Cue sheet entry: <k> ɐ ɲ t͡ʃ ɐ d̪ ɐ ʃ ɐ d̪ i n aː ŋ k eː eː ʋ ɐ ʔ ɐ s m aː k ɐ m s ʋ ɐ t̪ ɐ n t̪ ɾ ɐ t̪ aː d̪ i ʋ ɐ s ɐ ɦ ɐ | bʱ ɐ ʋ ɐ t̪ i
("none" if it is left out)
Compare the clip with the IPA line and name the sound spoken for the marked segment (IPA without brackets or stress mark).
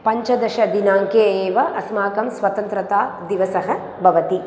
p